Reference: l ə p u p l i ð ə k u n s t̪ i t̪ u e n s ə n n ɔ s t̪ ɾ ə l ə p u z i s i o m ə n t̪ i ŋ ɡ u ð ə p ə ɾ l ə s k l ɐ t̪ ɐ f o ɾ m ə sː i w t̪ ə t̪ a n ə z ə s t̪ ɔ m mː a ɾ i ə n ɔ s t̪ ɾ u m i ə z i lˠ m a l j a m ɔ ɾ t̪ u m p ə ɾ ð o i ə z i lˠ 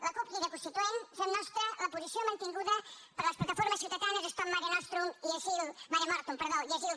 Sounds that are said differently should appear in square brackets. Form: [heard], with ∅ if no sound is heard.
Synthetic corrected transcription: l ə [k] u p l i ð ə k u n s t̪ i t̪ u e n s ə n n ɔ s t̪ ɾ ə l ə p u z i s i o m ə n t̪ i ŋ ɡ u ð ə p ə ɾ l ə s [p] l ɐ t̪ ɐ f o ɾ m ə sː i w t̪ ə t̪ a n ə z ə s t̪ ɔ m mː a ɾ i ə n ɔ s t̪ ɾ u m i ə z i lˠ m a [ɾ] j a m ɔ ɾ t̪ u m p ə ɾ ð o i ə z i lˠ